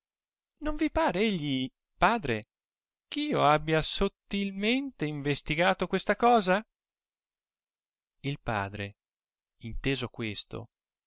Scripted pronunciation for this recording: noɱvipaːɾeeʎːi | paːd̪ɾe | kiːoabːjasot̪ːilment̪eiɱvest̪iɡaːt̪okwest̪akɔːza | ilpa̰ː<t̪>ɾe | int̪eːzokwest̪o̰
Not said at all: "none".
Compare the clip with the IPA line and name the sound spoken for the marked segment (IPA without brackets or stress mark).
d̪